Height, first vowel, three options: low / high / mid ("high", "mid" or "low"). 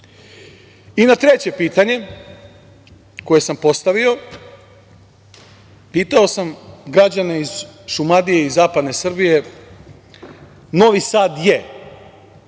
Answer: high